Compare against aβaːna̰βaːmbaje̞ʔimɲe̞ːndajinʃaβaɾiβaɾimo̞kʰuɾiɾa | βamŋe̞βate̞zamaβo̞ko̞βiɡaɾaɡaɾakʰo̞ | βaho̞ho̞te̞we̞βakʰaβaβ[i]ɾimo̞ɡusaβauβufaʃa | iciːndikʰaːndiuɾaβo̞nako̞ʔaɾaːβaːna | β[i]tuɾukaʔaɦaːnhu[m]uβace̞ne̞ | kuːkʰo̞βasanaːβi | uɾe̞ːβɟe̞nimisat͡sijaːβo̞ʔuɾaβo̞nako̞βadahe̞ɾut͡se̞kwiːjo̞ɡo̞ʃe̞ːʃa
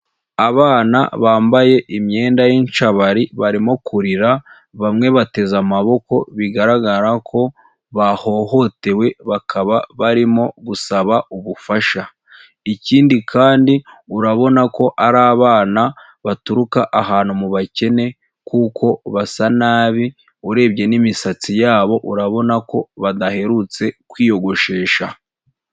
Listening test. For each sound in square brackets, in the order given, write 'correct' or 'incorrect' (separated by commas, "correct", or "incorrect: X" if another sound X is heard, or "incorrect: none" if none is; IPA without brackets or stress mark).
incorrect: a, incorrect: a, correct